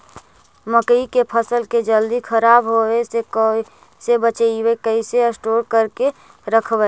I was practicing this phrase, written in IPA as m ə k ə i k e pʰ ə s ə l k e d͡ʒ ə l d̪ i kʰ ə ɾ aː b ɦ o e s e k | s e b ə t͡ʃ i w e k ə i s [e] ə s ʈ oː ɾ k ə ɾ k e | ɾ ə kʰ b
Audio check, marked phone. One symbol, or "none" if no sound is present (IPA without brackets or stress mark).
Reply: e